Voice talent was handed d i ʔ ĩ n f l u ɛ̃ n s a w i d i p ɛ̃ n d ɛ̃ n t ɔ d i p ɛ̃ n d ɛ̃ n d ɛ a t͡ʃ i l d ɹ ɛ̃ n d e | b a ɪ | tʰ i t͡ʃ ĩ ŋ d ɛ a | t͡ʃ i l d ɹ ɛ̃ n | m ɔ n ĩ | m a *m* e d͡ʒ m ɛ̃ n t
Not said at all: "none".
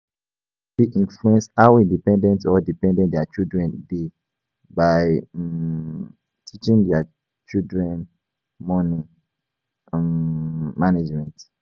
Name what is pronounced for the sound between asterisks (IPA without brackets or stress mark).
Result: n